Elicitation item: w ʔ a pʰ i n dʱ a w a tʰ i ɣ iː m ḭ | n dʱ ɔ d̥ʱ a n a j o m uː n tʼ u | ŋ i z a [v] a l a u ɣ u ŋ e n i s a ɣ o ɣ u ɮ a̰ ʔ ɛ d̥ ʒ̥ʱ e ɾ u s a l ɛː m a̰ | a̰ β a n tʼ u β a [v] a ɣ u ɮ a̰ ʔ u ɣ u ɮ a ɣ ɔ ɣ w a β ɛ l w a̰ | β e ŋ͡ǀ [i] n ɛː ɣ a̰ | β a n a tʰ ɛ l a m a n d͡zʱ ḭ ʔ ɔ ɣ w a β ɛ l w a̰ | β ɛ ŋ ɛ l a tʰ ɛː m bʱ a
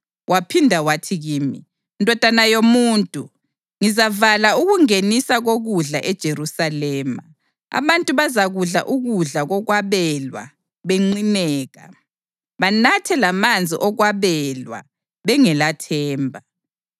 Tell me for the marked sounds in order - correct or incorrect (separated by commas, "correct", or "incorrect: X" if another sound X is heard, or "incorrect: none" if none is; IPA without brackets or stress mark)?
correct, incorrect: z, correct